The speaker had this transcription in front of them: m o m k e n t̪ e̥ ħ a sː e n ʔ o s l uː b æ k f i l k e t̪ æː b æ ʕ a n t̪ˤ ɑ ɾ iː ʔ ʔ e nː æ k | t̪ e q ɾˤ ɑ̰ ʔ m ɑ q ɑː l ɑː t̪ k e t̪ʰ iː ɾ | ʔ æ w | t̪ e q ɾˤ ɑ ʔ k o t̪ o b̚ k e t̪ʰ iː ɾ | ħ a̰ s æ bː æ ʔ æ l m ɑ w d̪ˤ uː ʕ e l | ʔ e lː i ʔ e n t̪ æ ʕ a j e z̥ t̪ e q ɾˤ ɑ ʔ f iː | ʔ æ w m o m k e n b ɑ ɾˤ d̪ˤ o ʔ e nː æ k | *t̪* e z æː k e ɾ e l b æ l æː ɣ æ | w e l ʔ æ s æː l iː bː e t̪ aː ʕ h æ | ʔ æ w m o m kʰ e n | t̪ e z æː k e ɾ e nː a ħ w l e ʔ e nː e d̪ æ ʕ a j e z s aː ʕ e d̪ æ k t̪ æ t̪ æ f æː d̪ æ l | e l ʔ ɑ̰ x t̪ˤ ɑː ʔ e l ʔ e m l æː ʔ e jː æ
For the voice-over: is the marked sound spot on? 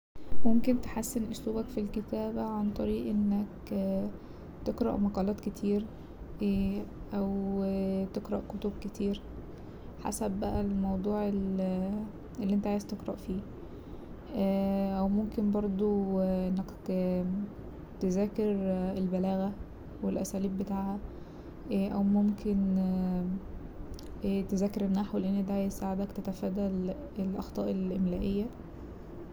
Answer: yes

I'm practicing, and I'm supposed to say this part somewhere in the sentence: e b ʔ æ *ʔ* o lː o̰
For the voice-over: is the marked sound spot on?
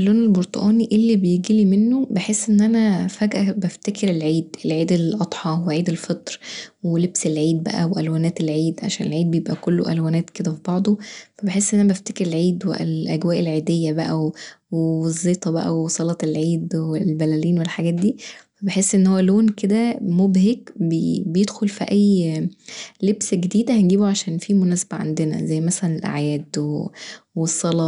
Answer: no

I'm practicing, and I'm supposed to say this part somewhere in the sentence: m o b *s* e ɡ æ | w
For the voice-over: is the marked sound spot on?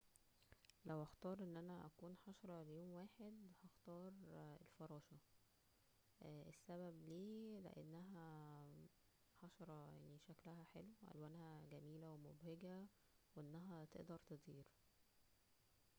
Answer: no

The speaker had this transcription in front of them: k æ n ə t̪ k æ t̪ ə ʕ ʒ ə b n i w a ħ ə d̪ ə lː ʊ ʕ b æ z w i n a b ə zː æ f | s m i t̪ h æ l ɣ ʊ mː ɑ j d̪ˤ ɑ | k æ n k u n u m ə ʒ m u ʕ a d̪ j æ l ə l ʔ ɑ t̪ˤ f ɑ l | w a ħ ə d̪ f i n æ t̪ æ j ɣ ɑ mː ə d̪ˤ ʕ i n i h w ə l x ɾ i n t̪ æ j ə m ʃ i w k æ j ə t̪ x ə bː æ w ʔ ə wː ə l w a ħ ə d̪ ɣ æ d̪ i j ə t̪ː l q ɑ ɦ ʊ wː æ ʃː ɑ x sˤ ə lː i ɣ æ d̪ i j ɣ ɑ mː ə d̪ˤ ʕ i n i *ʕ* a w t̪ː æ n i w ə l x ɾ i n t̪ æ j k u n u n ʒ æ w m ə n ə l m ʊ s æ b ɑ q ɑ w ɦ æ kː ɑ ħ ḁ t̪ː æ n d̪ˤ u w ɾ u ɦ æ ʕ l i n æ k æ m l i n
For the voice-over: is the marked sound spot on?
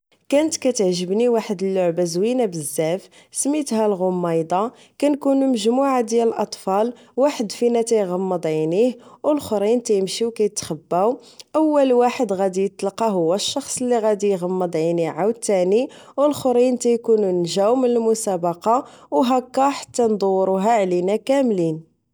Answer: yes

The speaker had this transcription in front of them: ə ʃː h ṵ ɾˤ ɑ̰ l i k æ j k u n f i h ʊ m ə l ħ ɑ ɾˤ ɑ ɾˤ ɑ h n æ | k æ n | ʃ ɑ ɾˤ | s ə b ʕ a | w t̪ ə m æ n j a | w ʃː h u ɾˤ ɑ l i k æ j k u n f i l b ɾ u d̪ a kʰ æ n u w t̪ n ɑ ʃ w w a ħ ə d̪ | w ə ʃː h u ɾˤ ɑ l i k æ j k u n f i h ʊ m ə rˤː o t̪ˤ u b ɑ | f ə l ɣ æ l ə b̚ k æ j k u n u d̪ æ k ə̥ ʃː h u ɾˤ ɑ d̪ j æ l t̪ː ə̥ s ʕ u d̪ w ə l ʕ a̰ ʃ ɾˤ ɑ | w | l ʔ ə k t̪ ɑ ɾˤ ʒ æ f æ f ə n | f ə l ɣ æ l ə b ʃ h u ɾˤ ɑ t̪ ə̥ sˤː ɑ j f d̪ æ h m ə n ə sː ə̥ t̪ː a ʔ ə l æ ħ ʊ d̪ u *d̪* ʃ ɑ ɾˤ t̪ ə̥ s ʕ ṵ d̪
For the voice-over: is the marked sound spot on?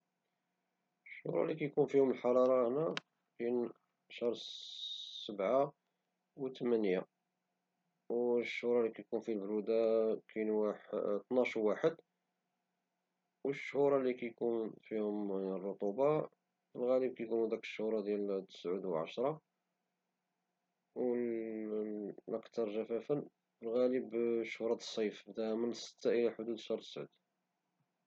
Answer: yes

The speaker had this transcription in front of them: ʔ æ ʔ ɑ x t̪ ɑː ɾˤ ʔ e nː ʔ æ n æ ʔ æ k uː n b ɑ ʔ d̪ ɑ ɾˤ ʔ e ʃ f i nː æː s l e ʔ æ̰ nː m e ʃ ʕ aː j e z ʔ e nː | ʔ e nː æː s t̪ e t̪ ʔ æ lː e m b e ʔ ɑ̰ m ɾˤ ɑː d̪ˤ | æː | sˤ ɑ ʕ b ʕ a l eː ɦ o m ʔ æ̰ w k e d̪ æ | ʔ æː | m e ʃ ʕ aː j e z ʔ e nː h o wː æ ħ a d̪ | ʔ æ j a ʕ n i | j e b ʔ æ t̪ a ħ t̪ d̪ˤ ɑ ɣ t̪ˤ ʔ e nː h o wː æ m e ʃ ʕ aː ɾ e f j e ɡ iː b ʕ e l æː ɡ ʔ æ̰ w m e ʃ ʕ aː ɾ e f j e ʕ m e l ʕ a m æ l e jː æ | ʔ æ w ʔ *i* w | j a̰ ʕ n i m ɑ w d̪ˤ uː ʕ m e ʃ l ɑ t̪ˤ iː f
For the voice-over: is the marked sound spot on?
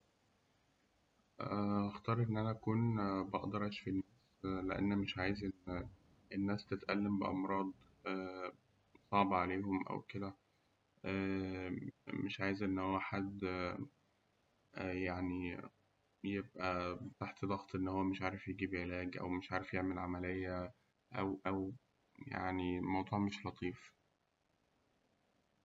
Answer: no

